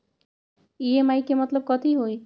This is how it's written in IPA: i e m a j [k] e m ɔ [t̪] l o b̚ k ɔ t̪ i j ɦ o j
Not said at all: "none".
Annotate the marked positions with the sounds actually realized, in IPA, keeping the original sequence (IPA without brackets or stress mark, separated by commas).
k, t̪